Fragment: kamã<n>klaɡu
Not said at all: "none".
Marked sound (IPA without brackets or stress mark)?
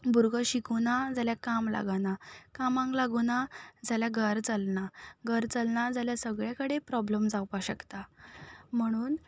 ŋ